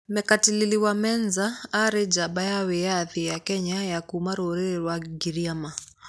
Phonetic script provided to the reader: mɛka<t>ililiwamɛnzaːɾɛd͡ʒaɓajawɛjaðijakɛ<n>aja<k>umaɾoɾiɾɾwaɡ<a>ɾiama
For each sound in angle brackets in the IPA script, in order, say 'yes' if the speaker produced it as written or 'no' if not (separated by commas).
yes, no, yes, no